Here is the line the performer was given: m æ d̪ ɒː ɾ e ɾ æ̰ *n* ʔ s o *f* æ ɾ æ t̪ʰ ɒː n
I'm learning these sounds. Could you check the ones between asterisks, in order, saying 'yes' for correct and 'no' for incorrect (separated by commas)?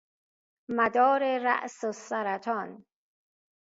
no, no